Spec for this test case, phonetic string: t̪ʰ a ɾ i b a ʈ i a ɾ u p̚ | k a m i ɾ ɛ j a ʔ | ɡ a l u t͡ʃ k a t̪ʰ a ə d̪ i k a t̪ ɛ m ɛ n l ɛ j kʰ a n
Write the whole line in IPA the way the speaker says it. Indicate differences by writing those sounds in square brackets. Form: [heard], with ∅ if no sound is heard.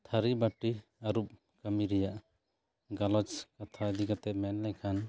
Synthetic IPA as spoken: t̪ʰ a ɾ i b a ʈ i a ɾ u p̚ | k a m i ɾ ɛ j a ʔ | ɡ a l [ɔ] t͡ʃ k a t̪ʰ a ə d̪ i k a t̪ ɛ m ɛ n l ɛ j kʰ a n